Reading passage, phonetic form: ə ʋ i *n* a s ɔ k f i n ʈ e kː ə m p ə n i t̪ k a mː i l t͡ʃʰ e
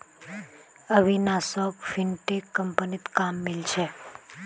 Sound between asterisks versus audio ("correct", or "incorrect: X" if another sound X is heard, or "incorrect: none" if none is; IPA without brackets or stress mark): correct